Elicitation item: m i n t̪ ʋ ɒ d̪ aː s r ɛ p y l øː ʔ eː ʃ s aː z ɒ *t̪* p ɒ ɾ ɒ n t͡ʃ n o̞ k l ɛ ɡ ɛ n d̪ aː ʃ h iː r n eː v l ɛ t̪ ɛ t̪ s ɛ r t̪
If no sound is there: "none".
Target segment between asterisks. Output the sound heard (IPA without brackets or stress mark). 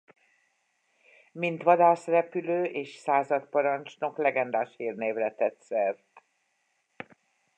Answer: t̪